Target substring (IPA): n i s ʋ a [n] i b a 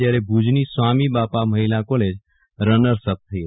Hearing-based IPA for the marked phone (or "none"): m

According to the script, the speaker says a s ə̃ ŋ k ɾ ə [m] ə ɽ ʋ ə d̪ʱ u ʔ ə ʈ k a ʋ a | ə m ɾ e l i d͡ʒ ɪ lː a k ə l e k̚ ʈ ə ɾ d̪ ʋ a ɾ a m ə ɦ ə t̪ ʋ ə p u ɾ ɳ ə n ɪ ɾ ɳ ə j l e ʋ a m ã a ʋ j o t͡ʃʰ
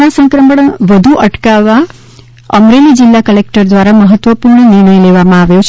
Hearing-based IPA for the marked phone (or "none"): m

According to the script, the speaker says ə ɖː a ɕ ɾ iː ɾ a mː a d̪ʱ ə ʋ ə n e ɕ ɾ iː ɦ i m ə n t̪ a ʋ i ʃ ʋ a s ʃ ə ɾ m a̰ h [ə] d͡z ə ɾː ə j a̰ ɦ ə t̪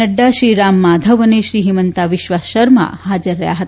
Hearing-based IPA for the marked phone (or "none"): a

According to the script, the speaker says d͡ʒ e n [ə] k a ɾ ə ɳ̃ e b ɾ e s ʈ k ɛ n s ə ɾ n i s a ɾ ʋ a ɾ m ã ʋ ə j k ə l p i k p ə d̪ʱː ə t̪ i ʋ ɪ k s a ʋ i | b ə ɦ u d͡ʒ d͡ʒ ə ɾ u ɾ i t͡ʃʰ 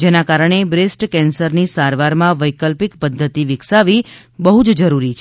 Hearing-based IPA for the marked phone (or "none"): a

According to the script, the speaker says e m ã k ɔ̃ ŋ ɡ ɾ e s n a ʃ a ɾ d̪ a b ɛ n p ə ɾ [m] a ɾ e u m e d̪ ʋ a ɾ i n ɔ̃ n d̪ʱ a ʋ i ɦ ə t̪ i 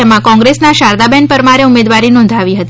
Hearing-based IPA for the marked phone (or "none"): m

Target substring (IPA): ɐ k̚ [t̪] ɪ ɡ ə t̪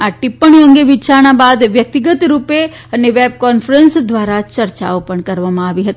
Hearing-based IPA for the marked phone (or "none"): t̪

